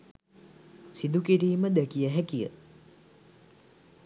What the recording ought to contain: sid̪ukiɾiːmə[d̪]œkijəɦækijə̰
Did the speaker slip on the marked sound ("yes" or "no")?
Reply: no